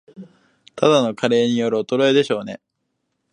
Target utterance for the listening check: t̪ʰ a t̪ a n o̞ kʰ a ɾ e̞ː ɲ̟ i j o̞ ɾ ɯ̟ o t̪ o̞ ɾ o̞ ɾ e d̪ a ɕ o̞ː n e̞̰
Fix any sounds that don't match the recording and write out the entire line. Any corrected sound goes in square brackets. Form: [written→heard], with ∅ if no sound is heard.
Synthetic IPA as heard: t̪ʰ a [t̪→d̪] a n o̞ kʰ a ɾ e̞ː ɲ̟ i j o̞ ɾ ɯ̟ o t̪ o̞ ɾ o̞ [ɾ→∅] e d̪ [a→e] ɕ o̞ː n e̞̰